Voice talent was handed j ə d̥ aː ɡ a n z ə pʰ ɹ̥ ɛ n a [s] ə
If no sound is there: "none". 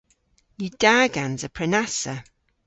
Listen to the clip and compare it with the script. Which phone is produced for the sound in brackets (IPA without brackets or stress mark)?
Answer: s